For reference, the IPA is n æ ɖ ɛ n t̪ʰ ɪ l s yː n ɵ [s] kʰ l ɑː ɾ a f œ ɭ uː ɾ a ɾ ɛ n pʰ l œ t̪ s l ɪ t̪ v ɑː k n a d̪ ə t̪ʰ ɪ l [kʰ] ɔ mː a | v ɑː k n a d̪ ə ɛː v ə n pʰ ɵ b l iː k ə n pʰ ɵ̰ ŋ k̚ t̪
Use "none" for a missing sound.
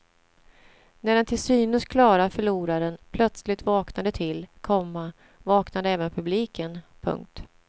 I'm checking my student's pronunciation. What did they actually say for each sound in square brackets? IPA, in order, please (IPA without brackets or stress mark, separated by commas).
s, kʰ